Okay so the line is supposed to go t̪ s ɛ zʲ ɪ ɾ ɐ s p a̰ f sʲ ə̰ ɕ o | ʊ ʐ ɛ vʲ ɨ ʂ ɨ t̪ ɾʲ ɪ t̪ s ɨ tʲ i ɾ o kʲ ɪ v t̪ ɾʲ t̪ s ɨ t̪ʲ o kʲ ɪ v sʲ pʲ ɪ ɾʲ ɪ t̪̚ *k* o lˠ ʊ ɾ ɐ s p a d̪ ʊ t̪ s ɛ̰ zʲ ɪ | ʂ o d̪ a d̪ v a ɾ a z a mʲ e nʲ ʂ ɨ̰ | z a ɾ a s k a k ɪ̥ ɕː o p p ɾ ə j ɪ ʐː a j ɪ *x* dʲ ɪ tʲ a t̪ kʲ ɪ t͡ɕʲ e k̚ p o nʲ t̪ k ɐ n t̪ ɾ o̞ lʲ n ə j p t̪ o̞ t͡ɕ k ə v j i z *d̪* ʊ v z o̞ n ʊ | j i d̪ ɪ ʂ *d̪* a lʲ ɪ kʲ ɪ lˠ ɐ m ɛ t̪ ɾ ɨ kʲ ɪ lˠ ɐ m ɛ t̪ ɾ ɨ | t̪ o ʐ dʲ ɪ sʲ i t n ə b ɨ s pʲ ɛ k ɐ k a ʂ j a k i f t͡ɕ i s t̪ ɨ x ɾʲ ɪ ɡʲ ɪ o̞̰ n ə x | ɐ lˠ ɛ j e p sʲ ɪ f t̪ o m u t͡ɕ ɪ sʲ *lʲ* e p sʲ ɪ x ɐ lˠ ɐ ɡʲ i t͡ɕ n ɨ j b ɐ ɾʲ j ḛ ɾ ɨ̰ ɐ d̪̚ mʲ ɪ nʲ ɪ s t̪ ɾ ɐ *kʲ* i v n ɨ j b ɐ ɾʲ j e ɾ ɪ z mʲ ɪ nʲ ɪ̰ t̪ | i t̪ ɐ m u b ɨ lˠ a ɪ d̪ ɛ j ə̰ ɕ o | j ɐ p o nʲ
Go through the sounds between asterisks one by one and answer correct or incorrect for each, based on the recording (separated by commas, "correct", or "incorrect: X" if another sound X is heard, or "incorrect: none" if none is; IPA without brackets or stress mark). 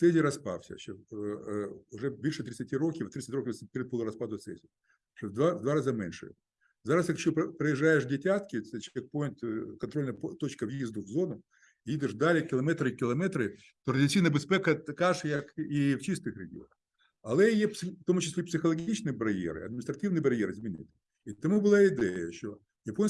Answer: incorrect: p, incorrect: ʂ, correct, correct, correct, incorrect: tʲ